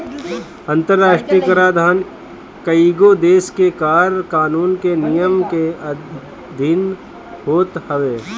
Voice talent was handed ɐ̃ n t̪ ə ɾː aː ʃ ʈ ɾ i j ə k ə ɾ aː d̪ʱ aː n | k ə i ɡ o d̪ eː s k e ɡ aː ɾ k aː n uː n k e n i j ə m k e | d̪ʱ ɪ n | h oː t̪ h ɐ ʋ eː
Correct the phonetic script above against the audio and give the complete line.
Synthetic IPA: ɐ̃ n t̪ ə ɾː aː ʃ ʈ ɾ i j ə k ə ɾ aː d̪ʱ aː n | k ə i ɡ o d̪ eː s k e k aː ɾ k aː n uː n k e n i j ə m k e | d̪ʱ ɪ n | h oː t̪ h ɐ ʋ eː